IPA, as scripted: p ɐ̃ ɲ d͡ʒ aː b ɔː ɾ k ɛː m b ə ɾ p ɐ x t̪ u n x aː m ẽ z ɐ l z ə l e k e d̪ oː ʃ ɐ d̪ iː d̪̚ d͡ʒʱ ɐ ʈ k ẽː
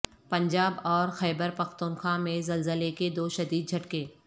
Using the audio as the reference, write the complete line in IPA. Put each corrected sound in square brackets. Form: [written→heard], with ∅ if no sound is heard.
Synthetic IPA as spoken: p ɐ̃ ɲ d͡ʒ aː b ɔː ɾ [k→x] ɛː [m→∅] b ə ɾ p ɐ x t̪ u n x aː m ẽ z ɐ l z ə l e k e d̪ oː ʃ ɐ d̪ iː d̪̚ d͡ʒʱ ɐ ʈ k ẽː